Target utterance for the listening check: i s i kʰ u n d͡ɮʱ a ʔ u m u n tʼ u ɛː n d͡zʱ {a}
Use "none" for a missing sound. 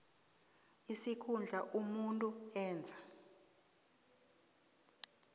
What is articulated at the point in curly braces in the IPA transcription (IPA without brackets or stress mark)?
a